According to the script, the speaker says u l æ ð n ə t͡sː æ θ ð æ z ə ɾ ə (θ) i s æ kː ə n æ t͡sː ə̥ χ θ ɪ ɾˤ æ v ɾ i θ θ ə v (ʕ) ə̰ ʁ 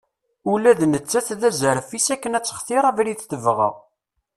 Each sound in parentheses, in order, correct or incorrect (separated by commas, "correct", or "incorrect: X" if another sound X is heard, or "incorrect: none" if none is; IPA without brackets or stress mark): incorrect: f, incorrect: ʁ